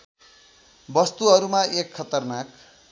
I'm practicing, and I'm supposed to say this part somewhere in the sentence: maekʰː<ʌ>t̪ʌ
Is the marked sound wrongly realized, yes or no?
no